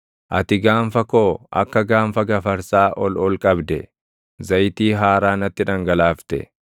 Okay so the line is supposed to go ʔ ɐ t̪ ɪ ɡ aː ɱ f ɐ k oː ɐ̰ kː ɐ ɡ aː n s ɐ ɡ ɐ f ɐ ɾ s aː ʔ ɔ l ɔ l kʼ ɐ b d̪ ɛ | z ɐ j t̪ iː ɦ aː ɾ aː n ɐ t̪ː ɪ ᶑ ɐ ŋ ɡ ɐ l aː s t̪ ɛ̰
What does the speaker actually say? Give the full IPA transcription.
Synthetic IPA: ʔ ɐ t̪ ɪ ɡ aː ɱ f ɐ k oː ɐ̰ kː ɐ ɡ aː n f ɐ ɡ ɐ f ɐ ɾ s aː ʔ ɔ l ɔ l kʼ ɐ b d̪ ɛ | z ɐ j t̪ iː ɦ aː ɾ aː n ɐ t̪ː ɪ ᶑ ɐ ŋ ɡ ɐ l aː f t̪ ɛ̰

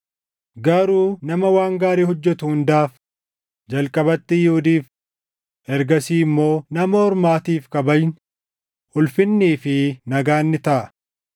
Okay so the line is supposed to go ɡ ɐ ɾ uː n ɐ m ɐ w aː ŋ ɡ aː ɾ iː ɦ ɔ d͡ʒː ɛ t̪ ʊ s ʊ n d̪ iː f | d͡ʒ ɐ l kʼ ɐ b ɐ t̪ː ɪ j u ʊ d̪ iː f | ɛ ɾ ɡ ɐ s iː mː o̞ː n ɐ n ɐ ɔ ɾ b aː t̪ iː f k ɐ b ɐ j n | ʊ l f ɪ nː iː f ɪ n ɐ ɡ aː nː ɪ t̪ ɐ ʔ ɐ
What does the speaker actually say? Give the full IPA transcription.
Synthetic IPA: ɡ ɐ ɾ uː n ɐ m ɐ w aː ŋ ɡ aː ɾ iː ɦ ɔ d͡ʒː ɛ t̪ ʊ h ʊ n d̪ aː f | d͡ʒ ɐ l kʼ ɐ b ɐ t̪ː ɪ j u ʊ d̪ iː f | ɛ ɾ ɡ ɐ s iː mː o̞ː n ɐ m ɐ ɔ ɾ m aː t̪ iː f k ɐ b ɐ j n | ʊ l f ɪ nː iː f ɪ n ɐ ɡ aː nː ɪ t̪ ɐ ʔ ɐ

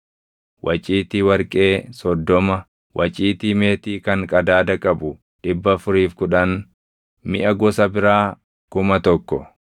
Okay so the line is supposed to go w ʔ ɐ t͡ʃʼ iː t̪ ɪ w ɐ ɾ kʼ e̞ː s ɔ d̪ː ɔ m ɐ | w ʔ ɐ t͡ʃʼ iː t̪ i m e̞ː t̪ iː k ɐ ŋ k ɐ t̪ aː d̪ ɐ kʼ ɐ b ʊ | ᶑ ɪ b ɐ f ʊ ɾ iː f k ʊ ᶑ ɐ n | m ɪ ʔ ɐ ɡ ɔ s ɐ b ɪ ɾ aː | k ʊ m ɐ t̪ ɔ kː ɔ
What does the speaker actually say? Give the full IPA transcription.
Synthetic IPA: w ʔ ɐ t͡ʃʼ iː t̪ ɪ w ɐ ɾ kʼ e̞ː s ɔ d̪ː ɔ m ɐ | w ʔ ɐ t͡ʃʼ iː t̪ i m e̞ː t̪ iː k ɐ ŋ kʼ ɐ d̪ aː d̪ ɐ kʼ ɐ b ʊ | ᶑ ɪ bː ɐ f ʊ ɾ iː f k ʊ ᶑ ɐ n | m ɪ ʔ ɐ ɡ ɔ s ɐ b ɪ ɾ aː | k ʊ m ɐ t̪ ɔ kː ɔ

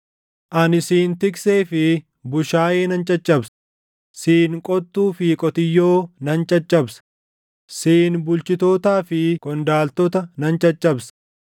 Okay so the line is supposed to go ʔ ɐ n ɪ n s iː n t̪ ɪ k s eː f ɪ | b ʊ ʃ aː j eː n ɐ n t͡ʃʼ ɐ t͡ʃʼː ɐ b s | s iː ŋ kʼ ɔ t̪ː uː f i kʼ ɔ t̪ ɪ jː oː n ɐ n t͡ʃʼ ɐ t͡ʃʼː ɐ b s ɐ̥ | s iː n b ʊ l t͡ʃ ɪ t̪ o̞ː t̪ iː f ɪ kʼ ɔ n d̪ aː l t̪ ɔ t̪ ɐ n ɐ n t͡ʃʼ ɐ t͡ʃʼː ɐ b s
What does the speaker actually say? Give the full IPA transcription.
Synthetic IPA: ʔ ɐ n ɪ s iː n t̪ ɪ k s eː f ɪ | b ʊ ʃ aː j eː n ɐ n t͡ʃʼ ɐ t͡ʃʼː ɐ b s | s iː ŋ kʼ ɔ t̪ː uː f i kʼ ɔ t̪ ɪ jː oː n ɐ n t͡ʃʼ ɐ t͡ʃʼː ɐ b s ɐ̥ | s iː n b ʊ l t͡ʃ ɪ t̪ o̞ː t̪ aː f ɪ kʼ ɔ n d̪ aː l t̪ ɔ t̪ ɐ n ɐ n t͡ʃʼ ɐ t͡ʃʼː ɐ b s

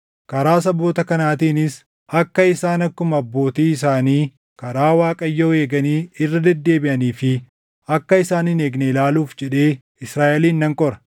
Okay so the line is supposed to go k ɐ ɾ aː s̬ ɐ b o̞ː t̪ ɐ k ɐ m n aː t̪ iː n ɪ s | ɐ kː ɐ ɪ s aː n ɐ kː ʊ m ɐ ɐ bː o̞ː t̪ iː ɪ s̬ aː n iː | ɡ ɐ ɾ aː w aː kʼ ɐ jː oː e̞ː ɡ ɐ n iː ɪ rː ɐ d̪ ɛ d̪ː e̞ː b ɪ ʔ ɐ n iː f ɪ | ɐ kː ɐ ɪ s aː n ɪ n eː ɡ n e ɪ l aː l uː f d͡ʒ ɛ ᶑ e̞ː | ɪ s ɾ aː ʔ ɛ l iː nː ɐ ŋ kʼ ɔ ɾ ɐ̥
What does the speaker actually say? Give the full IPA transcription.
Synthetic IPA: k ɐ ɾ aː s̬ ɐ b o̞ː t̪ ɐ k ɐ n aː t̪ iː n ɪ s | ɐ kː ɐ ɪ s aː n ɐ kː ʊ m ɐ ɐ bː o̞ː t̪ iː ɪ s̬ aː n iː | k ɐ ɾ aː w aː kʼ ɐ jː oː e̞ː ɡ ɐ n iː ɪ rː ɐ d̪ ɛ d̪ː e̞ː b ɪ ʔ ɐ n iː f ɪ | ɐ kː ɐ ɪ s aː n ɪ n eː ɡ n e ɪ l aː l uː f d͡ʒ ɛ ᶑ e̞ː | ɪ s ɾ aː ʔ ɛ l iː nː ɐ ŋ kʼ ɔ ɾ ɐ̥

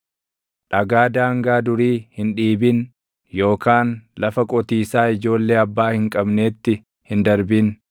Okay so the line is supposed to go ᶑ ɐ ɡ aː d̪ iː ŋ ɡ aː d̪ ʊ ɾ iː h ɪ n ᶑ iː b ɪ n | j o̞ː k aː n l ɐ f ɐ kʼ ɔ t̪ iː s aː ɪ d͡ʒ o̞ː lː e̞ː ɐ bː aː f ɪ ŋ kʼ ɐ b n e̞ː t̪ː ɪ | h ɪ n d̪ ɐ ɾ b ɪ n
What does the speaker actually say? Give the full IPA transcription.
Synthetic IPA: ᶑ ɐ ɡ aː d̪ aː ŋ ɡ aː d̪ ʊ ɾ iː h ɪ n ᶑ iː b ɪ n | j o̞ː k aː n l ɐ f ɐ kʼ ɔ t̪ iː s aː ɪ d͡ʒ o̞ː lː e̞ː ɐ bː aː h ɪ ŋ kʼ ɐ b n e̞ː t̪ː ɪ | h ɪ n d̪ ɐ ɾ b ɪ n

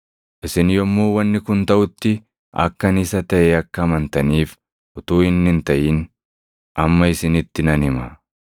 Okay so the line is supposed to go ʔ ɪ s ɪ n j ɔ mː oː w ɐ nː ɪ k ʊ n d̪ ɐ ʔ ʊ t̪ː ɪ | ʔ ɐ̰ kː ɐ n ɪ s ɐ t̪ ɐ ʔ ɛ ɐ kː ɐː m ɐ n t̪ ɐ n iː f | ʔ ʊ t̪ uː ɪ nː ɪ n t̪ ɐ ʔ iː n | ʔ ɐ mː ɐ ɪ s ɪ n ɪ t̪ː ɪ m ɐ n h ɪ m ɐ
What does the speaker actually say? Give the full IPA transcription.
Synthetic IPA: ʔ ɪ s ɪ n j ɔ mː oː w ɐ nː ɪ k ʊ n t̪ ɐ ʔ ʊ t̪ː ɪ | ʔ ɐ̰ kː ɐ n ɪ s ɐ t̪ ɐ ʔ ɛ ɐ kː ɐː m ɐ n t̪ ɐ n iː f | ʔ ʊ t̪ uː ɪ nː ɪ n t̪ ɐ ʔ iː n | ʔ ɐ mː ɐ ɪ s ɪ n ɪ t̪ː ɪ n ɐ n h ɪ m ɐ

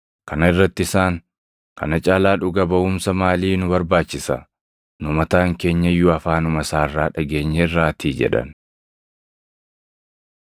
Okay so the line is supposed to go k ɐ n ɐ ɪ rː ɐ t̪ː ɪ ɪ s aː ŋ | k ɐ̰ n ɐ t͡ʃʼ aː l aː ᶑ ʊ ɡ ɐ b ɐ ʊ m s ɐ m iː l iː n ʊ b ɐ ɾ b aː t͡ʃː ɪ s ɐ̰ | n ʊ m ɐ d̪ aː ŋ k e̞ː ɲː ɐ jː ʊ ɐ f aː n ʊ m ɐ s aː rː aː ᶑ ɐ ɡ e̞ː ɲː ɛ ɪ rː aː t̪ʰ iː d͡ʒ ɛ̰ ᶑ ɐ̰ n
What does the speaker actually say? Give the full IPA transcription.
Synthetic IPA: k ɐ n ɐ ɪ rː ɐ t̪ː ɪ ɪ s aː ŋ | k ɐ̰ n ɐ t͡ʃʼ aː l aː ᶑ ʊ ɡ ɐ b ɐ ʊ m s ɐ m aː l iː n ʊ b ɐ ɾ b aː t͡ʃː ɪ s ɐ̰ | n ʊ m ɐ t̪ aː ŋ k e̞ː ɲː ɐ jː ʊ ɐ f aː n ʊ m ɐ s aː rː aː ᶑ ɐ ɡ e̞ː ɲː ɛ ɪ rː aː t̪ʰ iː d͡ʒ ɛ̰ ᶑ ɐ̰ n

